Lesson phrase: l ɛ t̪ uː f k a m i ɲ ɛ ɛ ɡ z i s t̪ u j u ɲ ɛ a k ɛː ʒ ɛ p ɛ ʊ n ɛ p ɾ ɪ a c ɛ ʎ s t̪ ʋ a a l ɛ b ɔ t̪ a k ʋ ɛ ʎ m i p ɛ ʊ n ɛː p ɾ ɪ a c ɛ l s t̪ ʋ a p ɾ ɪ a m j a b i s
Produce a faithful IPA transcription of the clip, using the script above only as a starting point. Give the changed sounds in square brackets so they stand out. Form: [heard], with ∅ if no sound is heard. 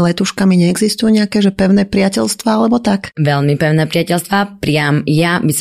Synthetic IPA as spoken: l ɛ t̪ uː [ʃ] k a m i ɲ ɛ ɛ ɡ z i s t̪ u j u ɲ ɛ a k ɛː ʒ ɛ p ɛ ʊ n ɛ p ɾ ɪ a c ɛ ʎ s t̪ ʋ a a l ɛ b ɔ t̪ a k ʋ ɛ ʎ m i p ɛ ʊ n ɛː p ɾ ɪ a c ɛ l s t̪ ʋ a p ɾ ɪ a m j a b i s